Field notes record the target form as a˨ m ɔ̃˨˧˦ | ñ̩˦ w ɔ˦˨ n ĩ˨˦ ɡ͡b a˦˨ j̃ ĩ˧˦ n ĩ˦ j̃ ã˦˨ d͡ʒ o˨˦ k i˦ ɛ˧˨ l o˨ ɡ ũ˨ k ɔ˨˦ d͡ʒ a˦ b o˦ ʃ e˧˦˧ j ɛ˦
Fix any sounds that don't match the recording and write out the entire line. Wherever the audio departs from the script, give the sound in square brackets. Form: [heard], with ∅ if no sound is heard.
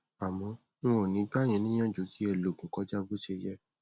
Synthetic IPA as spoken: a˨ m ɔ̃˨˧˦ | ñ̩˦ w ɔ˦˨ n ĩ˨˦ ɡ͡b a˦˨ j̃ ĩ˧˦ n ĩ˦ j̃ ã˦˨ d͡ʒ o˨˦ k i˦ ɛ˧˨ l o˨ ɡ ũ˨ k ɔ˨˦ d͡ʒ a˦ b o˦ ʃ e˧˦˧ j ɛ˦